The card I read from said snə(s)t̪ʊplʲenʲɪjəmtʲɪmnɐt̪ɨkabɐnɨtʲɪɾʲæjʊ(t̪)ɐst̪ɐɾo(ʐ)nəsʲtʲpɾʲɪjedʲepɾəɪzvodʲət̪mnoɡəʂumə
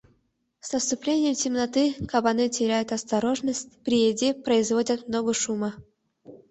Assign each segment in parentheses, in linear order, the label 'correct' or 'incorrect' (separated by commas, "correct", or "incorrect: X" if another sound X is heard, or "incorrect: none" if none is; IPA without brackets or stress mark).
correct, correct, correct